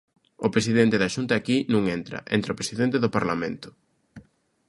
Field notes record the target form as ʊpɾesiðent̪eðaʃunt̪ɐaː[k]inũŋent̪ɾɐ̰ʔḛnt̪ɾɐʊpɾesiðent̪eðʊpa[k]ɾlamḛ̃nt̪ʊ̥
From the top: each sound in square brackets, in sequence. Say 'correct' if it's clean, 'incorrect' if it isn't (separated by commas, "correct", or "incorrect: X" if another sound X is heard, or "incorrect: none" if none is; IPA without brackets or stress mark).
correct, incorrect: none